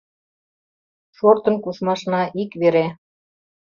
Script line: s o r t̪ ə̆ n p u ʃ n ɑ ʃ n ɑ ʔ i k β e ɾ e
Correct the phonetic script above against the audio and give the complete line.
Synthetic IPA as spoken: ʃ o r t̪ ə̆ n k u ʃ m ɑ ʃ n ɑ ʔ i k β e ɾ e